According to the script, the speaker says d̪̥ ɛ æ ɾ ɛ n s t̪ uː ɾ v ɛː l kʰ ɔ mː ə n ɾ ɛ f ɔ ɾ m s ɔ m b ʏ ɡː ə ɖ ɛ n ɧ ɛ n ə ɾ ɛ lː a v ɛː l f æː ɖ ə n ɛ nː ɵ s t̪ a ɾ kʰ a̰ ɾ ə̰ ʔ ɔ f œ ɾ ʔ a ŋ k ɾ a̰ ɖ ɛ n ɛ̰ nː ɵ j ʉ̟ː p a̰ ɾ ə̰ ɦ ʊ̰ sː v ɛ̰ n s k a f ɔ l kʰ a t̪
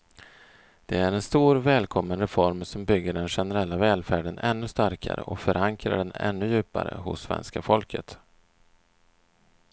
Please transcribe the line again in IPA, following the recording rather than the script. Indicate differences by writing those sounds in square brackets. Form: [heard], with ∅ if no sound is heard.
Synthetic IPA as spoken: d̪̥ ɛ æ ɾ ɛ n s t̪ uː ɾ v ɛː l kʰ ɔ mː ə n ɾ ɛ f ɔ ɾ m s ɔ m b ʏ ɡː ə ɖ ɛ n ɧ ɛ n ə ɾ ɛ lː a v ɛː l f æː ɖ ə n ɛ nː ɵ s t̪ a ɾ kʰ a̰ ɾ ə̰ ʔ ɔ f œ ɾ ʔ a ŋ k ɾ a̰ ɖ ɛ n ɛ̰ nː ɵ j ʉ̟ː p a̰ ɾ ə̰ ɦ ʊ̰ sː v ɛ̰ n s k a f ɔ l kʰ [ə] t̪